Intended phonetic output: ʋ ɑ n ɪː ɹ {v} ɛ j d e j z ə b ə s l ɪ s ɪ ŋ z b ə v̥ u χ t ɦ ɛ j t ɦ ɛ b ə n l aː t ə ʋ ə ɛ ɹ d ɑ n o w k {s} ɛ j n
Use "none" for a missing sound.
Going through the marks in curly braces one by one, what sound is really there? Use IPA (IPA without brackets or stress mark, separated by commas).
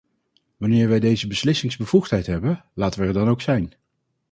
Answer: ʋ, s